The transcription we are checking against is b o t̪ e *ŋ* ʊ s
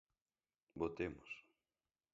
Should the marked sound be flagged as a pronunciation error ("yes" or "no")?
yes